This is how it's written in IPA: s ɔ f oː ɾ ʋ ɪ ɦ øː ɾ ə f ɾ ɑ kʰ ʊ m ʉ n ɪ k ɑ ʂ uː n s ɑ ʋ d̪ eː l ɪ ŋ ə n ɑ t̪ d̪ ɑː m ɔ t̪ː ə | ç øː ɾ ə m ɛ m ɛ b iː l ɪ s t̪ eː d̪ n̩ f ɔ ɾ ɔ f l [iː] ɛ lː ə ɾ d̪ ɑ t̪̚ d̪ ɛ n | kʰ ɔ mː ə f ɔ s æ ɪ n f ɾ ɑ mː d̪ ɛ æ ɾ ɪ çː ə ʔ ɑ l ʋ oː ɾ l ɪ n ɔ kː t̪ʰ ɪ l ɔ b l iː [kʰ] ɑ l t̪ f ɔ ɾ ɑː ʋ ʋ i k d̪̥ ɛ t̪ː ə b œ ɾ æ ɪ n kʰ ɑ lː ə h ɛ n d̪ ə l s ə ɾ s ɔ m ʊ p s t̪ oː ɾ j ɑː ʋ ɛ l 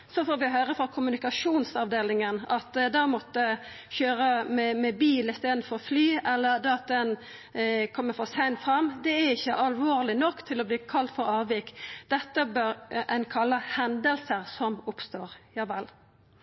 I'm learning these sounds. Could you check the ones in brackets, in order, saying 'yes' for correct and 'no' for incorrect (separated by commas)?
no, yes